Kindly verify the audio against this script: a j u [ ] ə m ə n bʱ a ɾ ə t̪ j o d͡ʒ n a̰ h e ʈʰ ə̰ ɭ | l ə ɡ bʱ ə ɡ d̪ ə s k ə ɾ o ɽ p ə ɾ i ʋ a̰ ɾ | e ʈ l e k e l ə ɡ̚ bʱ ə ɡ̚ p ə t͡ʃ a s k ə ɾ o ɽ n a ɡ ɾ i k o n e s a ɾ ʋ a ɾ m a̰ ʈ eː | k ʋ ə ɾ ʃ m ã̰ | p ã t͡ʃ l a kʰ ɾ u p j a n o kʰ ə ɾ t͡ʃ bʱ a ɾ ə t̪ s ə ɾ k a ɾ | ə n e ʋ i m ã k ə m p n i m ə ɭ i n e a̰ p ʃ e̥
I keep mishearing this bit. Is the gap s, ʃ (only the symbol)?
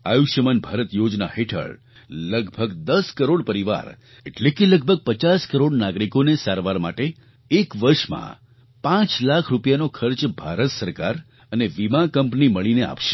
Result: ʃ